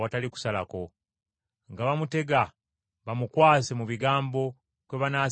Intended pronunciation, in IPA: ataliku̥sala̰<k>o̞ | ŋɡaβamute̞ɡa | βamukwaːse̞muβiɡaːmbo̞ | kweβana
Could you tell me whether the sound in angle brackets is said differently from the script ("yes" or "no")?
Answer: no